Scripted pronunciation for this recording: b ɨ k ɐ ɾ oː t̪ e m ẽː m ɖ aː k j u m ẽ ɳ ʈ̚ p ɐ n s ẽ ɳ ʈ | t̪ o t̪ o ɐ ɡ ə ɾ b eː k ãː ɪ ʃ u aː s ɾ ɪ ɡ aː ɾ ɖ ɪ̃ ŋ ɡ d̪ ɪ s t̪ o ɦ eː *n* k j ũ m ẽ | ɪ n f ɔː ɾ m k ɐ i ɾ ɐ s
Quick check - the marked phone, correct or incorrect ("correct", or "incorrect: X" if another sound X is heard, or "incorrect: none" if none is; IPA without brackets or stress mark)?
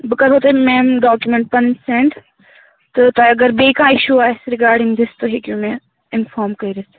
incorrect: none